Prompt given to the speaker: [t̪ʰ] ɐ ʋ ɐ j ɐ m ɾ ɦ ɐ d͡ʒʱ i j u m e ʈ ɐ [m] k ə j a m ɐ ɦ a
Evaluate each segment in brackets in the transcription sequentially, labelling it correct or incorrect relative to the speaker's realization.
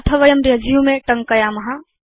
correct, incorrect: ŋ

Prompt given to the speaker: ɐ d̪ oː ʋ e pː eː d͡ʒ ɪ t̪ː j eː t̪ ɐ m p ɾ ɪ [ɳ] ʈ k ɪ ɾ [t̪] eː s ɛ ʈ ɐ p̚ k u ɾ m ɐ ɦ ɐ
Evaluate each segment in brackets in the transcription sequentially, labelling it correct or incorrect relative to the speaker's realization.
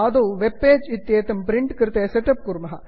correct, correct

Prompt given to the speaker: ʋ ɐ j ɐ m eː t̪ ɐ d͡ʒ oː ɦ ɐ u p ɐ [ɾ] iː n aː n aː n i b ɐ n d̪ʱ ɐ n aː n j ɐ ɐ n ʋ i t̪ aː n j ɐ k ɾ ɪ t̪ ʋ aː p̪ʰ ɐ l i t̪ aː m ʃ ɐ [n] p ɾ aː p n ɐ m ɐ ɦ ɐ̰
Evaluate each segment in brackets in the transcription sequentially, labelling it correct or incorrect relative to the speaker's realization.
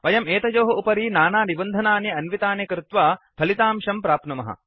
correct, incorrect: m

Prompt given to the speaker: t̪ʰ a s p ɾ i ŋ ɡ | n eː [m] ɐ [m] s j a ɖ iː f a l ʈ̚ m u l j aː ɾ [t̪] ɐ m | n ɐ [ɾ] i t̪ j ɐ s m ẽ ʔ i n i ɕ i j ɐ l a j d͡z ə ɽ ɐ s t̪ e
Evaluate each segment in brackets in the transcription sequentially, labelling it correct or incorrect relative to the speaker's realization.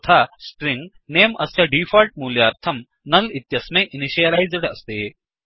correct, incorrect: none, incorrect: t̪ʰ, incorrect: l

